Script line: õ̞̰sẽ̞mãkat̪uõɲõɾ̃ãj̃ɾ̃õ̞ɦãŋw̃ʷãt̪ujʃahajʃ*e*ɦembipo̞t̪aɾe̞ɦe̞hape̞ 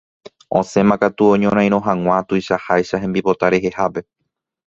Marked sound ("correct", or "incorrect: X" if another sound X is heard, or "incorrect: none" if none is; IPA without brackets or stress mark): incorrect: a